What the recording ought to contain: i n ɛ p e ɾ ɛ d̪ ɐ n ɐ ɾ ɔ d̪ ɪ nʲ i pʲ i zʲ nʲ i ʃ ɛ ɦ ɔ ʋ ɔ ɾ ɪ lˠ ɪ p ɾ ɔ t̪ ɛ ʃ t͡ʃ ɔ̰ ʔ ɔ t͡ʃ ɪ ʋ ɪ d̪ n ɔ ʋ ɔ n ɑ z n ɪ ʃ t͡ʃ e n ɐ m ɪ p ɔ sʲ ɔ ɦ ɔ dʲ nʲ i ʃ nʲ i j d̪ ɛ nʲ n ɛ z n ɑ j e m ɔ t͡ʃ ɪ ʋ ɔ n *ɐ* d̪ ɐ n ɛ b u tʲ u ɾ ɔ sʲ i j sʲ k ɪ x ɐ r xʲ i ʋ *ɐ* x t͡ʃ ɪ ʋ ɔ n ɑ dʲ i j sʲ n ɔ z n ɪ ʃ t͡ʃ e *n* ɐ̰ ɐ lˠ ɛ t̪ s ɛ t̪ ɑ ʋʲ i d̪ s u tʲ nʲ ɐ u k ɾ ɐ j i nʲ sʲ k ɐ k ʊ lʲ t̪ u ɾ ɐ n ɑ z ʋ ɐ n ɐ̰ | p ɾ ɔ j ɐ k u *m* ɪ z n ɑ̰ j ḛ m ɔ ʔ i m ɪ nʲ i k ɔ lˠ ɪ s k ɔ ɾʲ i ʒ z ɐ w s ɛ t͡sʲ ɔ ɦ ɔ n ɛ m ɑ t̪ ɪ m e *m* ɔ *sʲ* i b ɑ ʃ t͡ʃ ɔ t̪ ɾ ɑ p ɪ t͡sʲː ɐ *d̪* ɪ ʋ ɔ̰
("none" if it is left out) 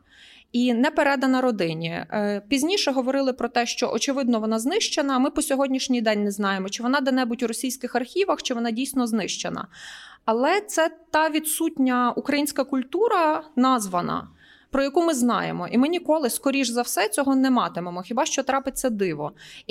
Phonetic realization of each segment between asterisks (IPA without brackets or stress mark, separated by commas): ɑ, ɐ, n, m, m, xʲ, d̪